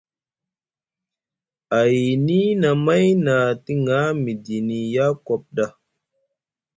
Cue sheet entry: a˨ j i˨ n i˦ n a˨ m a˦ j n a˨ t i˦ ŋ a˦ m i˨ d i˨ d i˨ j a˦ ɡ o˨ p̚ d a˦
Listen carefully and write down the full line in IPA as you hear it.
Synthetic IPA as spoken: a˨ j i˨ n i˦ n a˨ m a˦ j n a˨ t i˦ ŋ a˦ m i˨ d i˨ n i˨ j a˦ k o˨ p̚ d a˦